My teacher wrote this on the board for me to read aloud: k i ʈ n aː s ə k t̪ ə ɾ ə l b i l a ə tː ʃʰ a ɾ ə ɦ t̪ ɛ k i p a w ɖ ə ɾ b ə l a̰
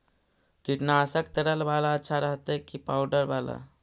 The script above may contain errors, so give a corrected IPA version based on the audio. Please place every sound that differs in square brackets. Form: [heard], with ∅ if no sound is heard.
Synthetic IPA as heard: k i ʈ n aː s ə k t̪ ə ɾ ə l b [a] l a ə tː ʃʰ a ɾ ə ɦ t̪ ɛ k i p a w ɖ ə ɾ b [a] l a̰